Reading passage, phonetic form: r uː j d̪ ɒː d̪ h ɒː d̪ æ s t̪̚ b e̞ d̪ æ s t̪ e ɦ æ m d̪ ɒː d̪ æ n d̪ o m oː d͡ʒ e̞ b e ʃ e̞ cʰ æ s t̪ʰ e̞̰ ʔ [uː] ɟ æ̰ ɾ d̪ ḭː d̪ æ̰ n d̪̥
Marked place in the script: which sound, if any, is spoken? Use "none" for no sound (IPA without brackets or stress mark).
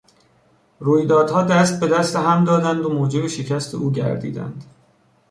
uː